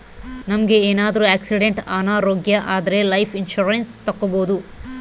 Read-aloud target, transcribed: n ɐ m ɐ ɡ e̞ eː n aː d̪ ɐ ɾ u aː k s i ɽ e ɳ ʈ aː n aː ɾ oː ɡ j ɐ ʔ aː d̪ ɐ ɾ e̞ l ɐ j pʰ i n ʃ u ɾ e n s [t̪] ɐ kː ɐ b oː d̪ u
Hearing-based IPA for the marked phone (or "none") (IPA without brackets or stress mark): t̪